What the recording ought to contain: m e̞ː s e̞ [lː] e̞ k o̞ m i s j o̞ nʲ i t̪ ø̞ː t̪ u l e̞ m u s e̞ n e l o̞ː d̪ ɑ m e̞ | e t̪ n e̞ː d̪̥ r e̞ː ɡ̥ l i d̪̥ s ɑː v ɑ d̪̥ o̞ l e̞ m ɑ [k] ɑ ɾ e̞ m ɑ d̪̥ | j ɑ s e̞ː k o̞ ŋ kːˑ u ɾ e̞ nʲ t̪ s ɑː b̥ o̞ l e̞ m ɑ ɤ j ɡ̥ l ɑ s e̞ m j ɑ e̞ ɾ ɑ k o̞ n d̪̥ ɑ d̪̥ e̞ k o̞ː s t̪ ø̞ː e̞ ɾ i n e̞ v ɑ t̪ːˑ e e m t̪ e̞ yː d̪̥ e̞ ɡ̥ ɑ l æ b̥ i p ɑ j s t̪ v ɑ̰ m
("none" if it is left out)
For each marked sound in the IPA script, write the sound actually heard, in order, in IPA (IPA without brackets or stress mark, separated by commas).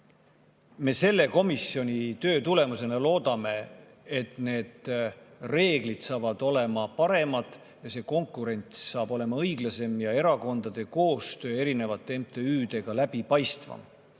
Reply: lː, p